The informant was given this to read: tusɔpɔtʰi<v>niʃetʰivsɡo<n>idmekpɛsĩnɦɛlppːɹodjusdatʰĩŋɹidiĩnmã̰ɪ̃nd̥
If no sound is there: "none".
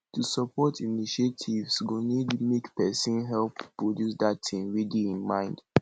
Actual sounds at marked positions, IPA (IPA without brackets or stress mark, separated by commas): none, n